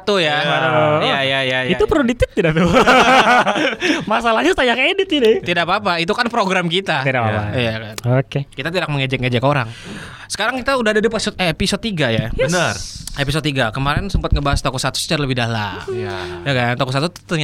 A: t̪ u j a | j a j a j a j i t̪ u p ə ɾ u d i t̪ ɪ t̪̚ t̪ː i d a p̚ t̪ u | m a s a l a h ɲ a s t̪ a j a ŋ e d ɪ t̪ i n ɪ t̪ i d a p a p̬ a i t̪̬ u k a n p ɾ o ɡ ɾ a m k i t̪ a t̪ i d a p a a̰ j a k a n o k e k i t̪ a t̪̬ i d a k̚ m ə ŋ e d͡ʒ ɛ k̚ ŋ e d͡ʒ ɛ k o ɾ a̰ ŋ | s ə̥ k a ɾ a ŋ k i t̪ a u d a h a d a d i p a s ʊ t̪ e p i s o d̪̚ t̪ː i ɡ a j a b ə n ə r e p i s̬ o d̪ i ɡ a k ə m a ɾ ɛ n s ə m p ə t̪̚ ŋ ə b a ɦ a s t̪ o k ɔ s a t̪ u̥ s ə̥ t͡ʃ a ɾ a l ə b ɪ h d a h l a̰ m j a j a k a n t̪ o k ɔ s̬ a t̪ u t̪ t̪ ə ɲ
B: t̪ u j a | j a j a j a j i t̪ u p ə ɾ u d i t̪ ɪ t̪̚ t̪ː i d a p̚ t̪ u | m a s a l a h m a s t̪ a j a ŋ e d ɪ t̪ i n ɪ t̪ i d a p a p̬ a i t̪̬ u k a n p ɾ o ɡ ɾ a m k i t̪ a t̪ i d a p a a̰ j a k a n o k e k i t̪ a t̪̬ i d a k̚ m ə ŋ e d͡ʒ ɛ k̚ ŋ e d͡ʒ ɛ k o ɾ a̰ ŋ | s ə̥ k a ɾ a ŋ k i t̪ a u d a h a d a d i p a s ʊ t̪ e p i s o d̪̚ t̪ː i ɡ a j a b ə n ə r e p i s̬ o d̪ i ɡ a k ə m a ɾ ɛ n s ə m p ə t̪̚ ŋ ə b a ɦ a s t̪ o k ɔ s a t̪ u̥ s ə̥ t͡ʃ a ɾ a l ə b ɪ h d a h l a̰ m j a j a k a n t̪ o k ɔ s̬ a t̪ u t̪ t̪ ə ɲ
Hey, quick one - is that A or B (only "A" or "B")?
A